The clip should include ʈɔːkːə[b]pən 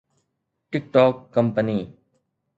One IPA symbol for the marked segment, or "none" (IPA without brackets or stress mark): m